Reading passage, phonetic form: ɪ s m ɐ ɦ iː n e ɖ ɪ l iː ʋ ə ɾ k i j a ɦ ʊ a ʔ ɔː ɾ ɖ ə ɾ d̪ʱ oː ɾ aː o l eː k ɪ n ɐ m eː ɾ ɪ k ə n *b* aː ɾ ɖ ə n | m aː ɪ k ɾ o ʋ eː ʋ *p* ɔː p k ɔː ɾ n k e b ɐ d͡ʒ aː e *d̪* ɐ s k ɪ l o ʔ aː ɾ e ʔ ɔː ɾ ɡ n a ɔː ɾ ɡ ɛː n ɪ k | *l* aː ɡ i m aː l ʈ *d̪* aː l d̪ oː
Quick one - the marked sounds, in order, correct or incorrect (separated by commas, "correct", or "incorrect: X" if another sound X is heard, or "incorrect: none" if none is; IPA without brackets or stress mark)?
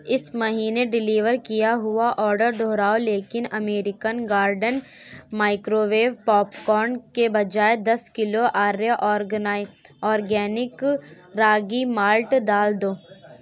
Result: incorrect: ɡ, correct, correct, incorrect: ɾ, correct